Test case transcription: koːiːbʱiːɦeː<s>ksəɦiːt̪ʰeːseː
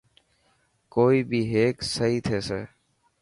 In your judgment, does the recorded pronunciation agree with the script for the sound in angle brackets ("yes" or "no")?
no